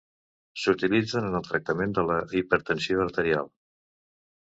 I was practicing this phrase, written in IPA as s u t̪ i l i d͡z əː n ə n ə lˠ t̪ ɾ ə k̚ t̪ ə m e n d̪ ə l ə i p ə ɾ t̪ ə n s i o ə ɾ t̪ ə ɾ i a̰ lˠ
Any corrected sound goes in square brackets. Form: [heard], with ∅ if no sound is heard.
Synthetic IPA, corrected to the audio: s u t̪ i l i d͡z [ə] n ə n ə lˠ t̪ ɾ ə k̚ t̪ ə m e n d̪ ə l ə i p ə ɾ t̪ ə n s i o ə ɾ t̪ ə ɾ i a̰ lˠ